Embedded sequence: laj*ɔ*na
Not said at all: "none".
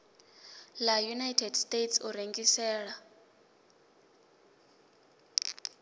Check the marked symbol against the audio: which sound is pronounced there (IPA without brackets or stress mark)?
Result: u